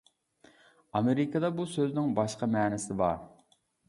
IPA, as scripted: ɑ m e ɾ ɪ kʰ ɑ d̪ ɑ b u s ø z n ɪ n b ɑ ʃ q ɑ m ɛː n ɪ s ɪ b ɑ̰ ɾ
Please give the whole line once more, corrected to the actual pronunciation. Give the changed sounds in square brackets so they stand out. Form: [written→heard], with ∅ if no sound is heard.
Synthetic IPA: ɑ m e ɾ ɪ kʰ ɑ d̪ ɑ b u s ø z n ɪ [n→ŋ] b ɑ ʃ q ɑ m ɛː n ɪ s ɪ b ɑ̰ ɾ